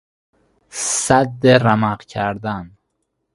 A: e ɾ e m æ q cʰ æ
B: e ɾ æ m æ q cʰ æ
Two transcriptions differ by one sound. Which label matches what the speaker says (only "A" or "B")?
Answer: B